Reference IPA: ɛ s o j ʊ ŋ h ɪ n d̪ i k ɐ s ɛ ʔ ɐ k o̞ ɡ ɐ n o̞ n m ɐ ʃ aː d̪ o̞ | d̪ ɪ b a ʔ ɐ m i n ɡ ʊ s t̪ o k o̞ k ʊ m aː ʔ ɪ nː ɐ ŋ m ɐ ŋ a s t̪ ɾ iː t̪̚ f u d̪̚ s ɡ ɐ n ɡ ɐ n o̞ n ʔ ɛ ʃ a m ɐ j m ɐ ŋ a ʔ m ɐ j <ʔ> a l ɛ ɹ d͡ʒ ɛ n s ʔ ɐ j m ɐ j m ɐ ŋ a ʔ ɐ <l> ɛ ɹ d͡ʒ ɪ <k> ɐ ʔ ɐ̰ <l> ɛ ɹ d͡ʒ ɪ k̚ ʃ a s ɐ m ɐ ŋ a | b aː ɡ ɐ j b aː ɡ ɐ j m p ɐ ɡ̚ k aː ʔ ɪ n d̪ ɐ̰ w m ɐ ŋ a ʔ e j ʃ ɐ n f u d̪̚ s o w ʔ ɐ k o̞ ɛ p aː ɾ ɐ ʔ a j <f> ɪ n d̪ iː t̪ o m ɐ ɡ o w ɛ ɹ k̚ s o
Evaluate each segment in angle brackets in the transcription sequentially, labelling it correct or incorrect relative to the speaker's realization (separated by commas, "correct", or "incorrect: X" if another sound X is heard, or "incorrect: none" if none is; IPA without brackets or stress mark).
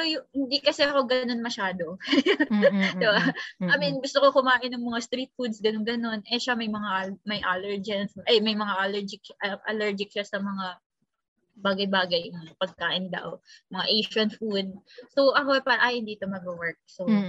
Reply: correct, correct, correct, correct, incorrect: h